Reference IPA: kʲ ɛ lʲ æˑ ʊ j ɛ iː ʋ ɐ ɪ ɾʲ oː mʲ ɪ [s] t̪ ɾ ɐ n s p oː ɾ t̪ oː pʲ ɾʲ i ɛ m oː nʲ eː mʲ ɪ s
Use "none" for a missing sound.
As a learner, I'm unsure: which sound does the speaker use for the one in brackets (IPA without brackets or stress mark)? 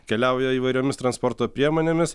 s